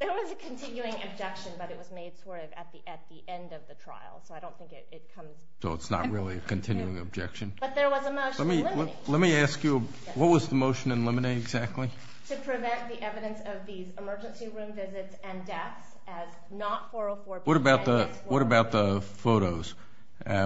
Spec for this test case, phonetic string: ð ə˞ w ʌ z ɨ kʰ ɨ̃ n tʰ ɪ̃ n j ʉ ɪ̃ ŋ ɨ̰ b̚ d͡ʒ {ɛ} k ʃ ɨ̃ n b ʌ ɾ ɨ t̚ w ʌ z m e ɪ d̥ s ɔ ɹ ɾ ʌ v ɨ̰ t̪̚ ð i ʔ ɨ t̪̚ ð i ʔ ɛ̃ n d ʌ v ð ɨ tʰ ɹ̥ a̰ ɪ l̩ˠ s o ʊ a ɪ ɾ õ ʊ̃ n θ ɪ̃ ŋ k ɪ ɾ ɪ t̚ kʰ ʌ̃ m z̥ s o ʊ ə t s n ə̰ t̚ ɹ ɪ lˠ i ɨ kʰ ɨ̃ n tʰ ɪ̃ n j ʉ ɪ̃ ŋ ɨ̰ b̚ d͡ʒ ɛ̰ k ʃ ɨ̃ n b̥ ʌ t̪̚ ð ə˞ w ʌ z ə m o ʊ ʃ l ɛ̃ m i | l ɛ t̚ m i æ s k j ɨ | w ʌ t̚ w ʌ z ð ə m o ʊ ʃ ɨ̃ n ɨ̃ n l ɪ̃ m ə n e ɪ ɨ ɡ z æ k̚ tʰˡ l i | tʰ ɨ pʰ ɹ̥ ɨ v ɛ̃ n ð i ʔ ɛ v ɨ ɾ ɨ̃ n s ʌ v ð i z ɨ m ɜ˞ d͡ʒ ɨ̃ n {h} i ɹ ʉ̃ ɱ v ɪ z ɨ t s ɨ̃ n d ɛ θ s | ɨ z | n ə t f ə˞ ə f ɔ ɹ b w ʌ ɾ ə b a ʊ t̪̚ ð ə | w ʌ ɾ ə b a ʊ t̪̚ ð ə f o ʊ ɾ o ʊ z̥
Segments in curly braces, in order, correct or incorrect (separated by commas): correct, incorrect